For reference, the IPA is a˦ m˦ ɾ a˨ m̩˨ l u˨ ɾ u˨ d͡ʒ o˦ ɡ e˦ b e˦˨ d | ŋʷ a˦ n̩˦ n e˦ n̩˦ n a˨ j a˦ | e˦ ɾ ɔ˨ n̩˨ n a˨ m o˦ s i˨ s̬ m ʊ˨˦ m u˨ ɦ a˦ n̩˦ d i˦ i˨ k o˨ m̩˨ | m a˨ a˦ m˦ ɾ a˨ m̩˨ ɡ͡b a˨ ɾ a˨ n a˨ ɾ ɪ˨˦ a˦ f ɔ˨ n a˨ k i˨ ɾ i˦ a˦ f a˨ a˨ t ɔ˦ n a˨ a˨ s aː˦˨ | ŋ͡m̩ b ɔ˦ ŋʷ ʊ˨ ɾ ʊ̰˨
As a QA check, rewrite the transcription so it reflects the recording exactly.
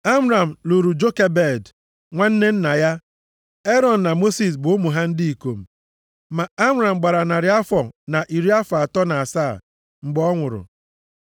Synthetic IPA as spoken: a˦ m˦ ɾ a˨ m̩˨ l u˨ ɾ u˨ d͡ʒ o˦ k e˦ b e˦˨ d | ŋʷ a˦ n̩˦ n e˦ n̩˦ n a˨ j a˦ | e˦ ɾ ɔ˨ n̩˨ n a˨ m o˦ s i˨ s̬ b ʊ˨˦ m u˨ ɦ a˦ n̩˦ d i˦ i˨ k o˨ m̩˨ | m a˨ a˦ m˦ ɾ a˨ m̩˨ ɡ͡b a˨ ɾ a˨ n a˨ ɾ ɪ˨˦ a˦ f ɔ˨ n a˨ ʔ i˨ ɾ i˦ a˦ f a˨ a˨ t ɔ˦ n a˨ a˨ s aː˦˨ | ŋ͡m̩ ɡ͡b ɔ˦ ŋʷ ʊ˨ ɾ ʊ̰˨